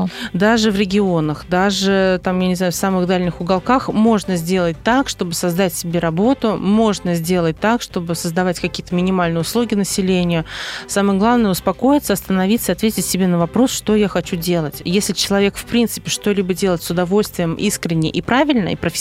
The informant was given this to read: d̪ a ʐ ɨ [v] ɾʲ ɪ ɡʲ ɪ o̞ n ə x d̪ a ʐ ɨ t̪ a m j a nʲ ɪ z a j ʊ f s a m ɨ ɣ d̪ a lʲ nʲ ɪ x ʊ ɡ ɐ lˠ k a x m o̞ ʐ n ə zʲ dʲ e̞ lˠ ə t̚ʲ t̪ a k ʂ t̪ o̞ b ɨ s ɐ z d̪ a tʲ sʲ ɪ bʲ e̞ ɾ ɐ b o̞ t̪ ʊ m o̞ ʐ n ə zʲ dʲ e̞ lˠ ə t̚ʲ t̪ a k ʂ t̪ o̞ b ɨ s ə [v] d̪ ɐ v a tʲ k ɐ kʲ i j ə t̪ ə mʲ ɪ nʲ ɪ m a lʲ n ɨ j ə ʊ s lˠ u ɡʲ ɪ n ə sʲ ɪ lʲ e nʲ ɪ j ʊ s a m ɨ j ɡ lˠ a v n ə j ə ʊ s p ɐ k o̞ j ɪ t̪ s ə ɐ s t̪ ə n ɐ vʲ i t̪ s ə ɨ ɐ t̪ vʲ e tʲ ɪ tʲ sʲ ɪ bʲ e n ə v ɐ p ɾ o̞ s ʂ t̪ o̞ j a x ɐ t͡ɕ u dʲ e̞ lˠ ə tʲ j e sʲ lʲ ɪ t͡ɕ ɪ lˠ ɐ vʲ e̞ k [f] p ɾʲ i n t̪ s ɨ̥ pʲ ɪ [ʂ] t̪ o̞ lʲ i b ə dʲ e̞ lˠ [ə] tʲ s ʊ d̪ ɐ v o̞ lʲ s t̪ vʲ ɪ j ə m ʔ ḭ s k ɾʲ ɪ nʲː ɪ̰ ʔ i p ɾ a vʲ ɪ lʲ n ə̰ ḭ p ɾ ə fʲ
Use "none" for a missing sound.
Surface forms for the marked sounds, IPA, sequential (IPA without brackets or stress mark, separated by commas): v, z, f, ʂ, ə